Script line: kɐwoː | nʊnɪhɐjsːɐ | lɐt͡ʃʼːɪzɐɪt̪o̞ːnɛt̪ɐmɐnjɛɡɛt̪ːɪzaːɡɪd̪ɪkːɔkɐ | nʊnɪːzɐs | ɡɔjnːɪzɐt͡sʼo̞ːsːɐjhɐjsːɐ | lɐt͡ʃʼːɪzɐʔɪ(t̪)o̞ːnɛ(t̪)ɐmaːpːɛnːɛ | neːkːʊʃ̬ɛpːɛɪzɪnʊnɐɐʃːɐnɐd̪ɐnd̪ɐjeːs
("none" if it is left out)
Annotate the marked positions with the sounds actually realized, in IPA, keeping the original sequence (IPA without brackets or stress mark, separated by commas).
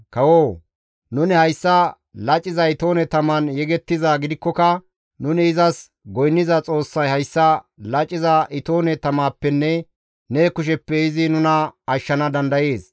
t̪, t̪